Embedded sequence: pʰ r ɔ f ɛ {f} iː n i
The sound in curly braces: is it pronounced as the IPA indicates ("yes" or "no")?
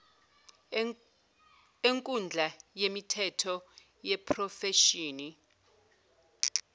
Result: no